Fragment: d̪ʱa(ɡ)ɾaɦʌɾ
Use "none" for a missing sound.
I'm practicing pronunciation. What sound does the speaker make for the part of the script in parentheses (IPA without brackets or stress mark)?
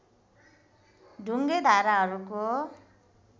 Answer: none